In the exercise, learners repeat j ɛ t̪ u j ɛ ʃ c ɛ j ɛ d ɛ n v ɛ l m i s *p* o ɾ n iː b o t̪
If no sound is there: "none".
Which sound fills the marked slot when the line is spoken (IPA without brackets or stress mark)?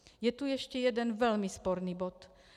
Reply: p